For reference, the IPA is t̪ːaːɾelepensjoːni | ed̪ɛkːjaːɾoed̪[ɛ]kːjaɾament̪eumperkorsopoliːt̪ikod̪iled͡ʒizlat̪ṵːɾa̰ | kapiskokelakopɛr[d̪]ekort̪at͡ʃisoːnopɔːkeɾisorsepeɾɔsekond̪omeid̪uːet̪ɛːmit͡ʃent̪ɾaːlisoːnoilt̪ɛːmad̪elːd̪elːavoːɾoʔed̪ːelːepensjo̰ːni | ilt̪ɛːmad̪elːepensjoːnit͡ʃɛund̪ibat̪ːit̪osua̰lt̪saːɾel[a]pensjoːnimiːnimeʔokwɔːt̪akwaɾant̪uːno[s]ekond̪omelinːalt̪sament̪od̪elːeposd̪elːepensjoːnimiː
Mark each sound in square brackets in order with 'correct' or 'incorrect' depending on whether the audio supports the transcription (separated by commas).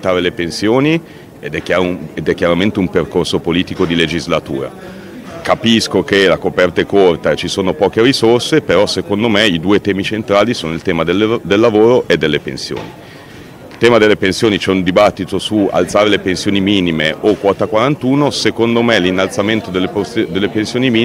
correct, incorrect, incorrect, correct